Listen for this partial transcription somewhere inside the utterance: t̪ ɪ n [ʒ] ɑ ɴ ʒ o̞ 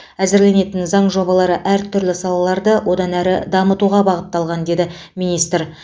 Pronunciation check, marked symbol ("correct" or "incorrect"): incorrect